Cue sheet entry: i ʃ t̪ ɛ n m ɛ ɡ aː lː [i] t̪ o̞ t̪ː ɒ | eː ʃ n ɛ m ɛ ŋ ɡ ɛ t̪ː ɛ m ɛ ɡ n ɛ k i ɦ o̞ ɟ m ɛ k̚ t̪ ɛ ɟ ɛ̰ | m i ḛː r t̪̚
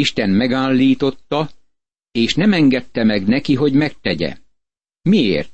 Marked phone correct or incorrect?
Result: incorrect